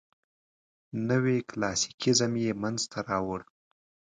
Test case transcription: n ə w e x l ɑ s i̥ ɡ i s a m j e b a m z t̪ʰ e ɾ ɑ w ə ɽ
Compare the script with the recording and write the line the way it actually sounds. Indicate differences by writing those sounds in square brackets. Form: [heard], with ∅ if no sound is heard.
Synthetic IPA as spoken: n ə w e [k] l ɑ s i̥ [k] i [z] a m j e [m] a [n] z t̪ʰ [a] ɾ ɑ w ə ɽ